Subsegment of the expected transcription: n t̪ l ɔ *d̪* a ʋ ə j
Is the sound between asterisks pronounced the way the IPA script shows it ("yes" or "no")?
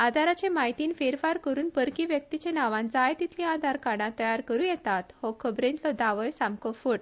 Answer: yes